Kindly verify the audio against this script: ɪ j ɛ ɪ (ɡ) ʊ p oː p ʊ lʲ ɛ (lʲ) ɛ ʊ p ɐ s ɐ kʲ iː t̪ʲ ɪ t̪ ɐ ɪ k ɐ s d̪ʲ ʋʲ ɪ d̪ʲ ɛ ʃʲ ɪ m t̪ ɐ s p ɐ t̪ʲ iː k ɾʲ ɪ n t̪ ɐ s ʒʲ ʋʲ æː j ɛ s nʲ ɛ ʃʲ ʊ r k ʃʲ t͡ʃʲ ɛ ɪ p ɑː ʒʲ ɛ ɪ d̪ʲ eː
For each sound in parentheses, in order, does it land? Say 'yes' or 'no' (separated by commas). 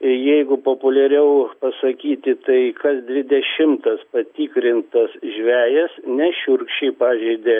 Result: yes, no